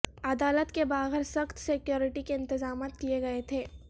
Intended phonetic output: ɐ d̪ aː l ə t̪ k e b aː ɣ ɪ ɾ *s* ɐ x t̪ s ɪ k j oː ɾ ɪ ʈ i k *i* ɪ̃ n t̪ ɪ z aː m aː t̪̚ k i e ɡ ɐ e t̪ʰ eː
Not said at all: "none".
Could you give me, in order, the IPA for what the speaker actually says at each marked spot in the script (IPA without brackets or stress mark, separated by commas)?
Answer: s, e